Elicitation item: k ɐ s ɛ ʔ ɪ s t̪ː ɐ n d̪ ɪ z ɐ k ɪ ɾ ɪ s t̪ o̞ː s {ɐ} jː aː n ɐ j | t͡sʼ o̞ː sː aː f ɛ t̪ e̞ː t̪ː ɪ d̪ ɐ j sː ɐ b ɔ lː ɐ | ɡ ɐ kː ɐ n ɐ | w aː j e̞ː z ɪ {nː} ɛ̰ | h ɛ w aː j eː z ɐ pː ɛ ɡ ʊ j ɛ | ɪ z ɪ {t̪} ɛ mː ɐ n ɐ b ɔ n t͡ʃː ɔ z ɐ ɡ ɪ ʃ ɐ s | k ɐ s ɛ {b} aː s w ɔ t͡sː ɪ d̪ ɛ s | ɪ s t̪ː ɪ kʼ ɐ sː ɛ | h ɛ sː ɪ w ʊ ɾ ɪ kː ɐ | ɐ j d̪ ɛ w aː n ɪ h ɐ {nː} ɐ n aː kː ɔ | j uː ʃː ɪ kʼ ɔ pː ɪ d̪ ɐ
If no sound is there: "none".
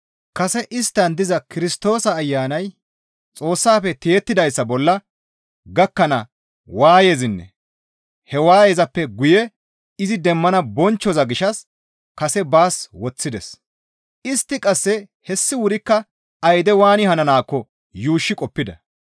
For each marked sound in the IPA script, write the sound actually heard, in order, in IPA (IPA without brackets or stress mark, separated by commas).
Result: ɐː, nː, d̪, b, n